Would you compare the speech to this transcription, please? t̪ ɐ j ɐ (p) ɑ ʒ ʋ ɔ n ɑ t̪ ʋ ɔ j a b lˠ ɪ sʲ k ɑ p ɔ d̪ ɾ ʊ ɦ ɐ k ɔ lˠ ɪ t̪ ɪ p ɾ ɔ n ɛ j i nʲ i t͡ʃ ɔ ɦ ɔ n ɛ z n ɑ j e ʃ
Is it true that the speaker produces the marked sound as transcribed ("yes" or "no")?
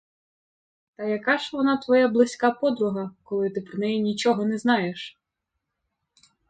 no